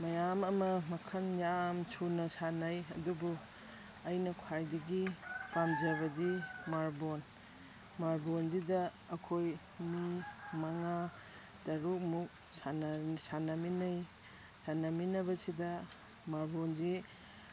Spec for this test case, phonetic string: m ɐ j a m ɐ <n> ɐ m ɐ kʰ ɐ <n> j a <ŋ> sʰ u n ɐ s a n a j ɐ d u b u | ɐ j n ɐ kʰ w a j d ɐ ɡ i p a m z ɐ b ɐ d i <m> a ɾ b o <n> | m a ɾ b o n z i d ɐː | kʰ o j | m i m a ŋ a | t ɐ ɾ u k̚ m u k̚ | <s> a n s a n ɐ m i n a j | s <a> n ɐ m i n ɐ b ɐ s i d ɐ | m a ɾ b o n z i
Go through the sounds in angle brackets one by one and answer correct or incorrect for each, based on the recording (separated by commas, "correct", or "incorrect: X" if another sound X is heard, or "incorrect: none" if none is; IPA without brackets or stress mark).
incorrect: m, correct, incorrect: m, correct, correct, correct, correct